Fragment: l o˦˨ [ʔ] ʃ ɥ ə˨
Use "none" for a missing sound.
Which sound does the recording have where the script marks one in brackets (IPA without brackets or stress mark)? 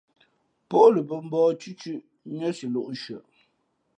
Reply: ʔ